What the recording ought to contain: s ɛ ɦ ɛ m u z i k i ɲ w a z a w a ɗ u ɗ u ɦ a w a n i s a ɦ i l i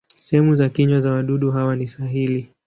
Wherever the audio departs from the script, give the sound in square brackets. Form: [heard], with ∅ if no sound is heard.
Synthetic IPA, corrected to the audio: s ɛ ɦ ɛ m u z [a] k i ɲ w a z a w a ɗ u ɗ u ɦ a w a n i s a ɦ i l i